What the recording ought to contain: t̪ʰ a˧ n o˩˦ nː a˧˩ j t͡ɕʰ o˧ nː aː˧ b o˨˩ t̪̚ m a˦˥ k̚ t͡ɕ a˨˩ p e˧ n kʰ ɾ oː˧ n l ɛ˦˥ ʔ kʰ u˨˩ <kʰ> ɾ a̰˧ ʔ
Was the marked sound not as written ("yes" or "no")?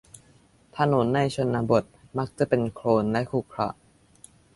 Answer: no